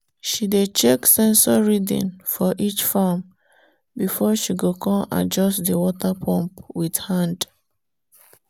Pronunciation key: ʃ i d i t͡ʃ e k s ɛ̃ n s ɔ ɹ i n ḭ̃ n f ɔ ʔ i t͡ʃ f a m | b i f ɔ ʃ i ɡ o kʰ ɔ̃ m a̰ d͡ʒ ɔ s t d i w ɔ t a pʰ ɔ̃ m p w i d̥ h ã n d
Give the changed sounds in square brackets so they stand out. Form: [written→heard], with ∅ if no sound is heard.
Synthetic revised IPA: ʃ i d [i→e] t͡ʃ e k s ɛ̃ n s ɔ ɹ i [n→d] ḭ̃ n f ɔ ʔ i t͡ʃ f a m | b i f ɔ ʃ i ɡ o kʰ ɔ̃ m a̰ d͡ʒ ɔ s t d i w ɔ t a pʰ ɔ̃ m p w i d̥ h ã n d